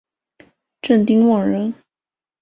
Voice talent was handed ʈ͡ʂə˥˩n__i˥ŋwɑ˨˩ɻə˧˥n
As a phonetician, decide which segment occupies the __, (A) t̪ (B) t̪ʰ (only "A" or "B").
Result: A